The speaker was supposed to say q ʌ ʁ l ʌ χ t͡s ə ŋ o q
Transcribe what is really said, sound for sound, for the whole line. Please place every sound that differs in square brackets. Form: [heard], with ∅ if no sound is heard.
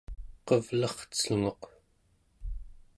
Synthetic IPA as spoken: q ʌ [v] l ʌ χ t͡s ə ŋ o q